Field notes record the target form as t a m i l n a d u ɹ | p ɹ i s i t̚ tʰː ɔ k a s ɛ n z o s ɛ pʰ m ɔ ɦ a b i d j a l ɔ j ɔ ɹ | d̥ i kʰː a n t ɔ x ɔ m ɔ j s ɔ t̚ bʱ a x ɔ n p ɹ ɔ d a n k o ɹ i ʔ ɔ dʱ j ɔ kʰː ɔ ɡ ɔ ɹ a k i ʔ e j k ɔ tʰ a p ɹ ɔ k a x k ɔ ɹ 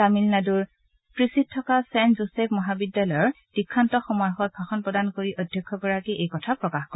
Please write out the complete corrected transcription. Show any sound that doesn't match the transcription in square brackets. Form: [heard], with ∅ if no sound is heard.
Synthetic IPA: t a m i l n a d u ɹ | p ɹ i s i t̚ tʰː ɔ k a s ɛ n z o s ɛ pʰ m ɔ ɦ a b i d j a l ɔ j ɔ ɹ | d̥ i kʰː a n t ɔ x ɔ m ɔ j [x] ɔ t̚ bʱ a x ɔ n p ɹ ɔ d a n k o ɹ i ʔ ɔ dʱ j ɔ kʰː ɔ ɡ ɔ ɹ a k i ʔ e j k ɔ tʰ a p ɹ ɔ k a x k ɔ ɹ